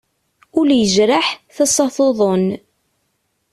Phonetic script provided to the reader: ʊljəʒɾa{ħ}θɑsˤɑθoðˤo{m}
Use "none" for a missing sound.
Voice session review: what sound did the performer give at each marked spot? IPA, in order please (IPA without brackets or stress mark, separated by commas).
ħ, n